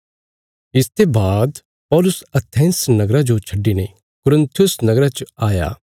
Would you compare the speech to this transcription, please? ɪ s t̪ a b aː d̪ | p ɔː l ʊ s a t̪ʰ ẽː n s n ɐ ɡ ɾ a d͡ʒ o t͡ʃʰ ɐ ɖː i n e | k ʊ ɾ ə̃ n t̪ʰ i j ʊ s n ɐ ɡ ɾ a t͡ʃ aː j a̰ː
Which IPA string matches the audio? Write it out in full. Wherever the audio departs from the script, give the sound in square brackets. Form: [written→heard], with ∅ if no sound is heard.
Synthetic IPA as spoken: ɪ s t̪ [a→e] b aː d̪ | p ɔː l ʊ s [a→ɐ] t̪ʰ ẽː n s n ɐ ɡ ɾ a d͡ʒ o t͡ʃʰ ɐ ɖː i n e | k ʊ ɾ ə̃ n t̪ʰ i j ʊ s n ɐ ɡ ɾ a t͡ʃ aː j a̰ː